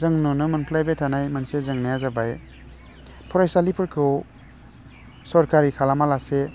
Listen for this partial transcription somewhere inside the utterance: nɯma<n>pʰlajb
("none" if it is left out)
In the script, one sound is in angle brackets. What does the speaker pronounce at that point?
n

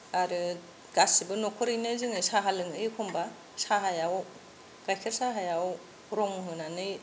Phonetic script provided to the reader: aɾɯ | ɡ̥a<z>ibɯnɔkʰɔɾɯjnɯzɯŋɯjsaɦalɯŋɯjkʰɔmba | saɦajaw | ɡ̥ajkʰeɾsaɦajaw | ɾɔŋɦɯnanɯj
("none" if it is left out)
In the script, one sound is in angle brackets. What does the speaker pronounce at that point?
s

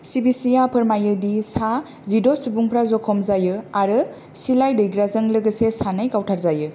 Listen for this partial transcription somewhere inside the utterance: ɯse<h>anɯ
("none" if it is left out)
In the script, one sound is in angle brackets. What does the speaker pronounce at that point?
s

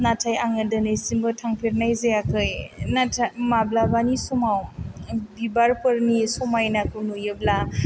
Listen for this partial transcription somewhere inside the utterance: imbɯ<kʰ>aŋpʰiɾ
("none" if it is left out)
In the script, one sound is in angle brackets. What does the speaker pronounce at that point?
tʰ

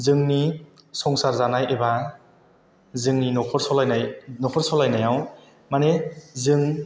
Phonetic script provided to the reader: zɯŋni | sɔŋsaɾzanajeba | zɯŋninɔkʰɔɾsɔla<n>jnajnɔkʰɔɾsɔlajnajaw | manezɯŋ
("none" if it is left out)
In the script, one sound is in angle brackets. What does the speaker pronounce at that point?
none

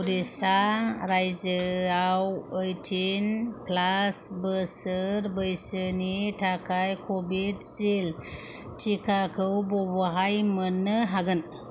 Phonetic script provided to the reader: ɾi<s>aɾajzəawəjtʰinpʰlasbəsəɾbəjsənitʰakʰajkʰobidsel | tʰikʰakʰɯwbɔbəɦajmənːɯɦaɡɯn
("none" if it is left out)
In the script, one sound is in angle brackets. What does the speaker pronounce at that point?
s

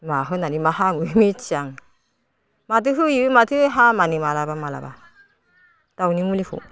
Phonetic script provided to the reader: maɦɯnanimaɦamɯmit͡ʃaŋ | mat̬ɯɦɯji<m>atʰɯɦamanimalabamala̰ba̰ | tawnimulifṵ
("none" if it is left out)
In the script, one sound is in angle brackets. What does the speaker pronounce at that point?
m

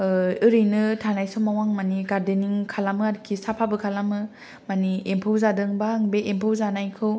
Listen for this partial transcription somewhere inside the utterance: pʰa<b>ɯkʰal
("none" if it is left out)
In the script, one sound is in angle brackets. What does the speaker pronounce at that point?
b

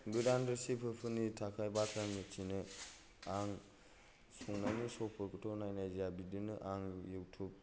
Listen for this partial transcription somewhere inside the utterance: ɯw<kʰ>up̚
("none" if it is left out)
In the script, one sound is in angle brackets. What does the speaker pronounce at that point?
tʰ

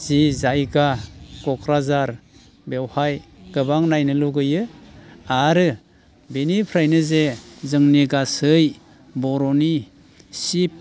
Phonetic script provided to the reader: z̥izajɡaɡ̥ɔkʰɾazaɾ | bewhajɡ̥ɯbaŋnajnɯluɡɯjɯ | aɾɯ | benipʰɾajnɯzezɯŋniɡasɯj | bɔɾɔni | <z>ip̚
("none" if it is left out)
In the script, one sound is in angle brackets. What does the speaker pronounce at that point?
s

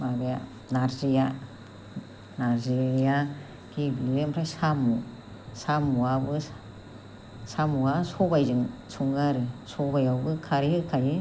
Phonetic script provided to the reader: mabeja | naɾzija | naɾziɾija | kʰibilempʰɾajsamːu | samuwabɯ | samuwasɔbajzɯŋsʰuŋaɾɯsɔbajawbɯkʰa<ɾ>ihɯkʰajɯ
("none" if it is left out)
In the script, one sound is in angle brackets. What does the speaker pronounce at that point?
ɾ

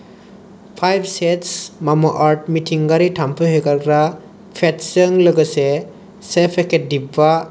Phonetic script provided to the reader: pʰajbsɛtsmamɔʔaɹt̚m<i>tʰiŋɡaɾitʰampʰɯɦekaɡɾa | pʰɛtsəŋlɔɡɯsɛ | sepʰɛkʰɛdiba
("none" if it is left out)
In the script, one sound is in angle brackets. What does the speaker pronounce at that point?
i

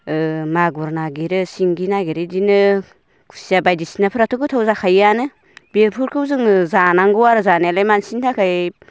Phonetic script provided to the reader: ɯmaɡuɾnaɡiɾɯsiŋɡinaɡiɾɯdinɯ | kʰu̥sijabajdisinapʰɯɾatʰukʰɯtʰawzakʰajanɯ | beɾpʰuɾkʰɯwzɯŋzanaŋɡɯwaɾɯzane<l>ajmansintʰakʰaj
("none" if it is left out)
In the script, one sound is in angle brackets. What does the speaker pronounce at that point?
l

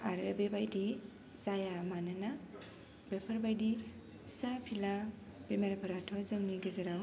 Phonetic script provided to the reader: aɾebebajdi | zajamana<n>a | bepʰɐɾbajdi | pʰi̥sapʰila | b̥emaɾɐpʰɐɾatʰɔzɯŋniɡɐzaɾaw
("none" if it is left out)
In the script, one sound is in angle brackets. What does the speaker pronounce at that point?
n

